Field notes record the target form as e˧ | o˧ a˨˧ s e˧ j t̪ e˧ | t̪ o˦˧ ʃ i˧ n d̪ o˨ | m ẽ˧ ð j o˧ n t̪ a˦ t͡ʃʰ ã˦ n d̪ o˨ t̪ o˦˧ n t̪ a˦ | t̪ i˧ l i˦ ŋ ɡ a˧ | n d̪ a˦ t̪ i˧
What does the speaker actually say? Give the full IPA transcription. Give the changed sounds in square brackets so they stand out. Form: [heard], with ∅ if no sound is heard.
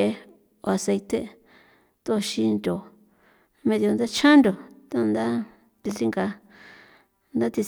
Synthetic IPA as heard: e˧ | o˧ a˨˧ s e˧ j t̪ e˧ | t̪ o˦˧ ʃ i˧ n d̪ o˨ | m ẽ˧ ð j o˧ n [d̪] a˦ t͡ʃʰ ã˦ n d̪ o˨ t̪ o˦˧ n [d̪] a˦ | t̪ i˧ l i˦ ŋ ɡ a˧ | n d̪ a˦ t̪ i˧

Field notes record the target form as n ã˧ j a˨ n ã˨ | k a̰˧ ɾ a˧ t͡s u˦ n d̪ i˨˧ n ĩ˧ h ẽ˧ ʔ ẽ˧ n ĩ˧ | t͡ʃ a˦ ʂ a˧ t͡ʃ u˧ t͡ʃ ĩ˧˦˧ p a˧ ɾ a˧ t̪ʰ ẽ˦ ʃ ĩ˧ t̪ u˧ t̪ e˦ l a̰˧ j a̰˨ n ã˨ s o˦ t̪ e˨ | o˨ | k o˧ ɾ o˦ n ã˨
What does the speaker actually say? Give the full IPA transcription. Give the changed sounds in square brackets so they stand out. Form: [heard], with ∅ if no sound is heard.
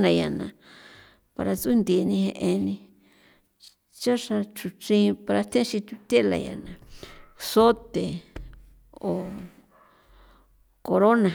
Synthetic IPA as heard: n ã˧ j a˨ n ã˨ | [p] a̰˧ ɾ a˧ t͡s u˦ n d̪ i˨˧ n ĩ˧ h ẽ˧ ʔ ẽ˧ n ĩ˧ | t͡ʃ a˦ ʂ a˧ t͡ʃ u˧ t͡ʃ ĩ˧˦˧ p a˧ ɾ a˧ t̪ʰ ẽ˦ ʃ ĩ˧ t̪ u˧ t̪ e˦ l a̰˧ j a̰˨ n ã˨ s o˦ t̪ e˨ | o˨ | k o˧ ɾ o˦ n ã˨

